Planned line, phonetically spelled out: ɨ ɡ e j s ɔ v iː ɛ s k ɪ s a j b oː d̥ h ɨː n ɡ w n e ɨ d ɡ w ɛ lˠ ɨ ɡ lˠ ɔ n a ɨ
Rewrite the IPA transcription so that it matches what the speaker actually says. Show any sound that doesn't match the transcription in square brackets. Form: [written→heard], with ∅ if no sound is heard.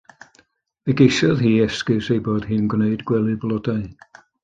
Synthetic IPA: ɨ ɡ e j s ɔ [v→ð] iː ɛ s k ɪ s [a→e] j b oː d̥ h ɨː n ɡ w n e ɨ d ɡ w ɛ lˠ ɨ [ɡ→b] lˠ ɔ [n→d] a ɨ